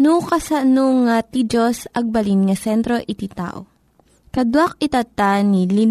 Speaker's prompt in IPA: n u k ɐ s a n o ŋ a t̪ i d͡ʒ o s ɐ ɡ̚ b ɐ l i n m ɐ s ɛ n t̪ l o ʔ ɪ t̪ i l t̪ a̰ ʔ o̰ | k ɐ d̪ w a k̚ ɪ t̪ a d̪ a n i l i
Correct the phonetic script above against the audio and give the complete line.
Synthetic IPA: n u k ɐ s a n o ŋ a t̪ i d͡ʒ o s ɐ ɡ̚ b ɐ l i n ŋ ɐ s ɛ n t̪ ɾ o ʔ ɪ t̪ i t̪ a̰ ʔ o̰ | k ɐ d̪ w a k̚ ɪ t̪ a t̪ a n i l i